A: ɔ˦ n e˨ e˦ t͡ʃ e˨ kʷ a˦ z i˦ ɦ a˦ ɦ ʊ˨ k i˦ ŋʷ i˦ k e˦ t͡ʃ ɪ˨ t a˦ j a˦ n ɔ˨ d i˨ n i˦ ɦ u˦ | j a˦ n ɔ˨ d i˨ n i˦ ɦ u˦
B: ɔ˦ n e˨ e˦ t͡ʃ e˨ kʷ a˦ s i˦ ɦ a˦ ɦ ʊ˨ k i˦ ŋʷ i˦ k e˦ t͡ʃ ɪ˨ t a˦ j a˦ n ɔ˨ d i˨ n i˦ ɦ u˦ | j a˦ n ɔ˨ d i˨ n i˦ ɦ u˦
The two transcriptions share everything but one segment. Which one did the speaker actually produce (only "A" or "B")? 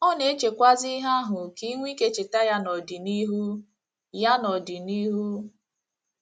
A